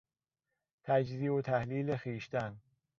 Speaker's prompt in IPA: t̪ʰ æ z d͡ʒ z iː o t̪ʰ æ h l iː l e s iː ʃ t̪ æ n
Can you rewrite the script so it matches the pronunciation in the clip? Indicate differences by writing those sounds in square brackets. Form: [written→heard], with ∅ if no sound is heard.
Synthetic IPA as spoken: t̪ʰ æ [z→∅] d͡ʒ z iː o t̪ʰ æ h l iː l e [s→x] iː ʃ t̪ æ n